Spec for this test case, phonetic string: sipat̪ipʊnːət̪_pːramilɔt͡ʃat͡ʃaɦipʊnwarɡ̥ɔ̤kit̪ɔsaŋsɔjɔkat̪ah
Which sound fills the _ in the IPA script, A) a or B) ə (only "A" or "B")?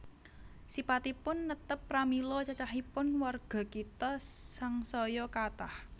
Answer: B